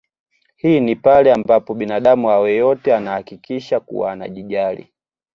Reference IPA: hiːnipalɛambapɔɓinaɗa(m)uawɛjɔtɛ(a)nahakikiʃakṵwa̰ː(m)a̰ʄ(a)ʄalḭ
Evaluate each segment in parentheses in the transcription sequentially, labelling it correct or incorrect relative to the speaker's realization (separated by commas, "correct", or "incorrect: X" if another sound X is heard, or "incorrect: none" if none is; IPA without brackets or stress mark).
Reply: correct, correct, incorrect: n, incorrect: i